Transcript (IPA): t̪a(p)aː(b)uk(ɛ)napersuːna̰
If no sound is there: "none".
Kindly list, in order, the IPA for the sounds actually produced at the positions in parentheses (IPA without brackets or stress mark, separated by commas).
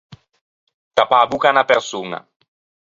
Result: p, b, a